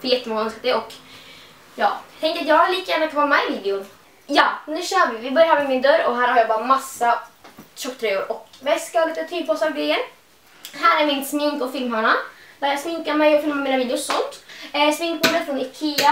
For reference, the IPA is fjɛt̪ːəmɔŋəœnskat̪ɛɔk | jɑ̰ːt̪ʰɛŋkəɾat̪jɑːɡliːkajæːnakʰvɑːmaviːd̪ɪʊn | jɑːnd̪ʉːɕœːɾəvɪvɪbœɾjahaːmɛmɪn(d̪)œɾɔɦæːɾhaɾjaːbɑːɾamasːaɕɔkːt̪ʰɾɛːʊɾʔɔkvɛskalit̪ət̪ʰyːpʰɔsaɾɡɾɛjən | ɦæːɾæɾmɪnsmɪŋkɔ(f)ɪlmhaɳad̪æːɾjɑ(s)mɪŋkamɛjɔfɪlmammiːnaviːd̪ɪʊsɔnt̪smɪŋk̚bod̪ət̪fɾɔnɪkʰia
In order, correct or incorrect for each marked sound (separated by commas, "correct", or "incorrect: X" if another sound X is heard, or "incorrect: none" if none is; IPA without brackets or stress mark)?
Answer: correct, correct, correct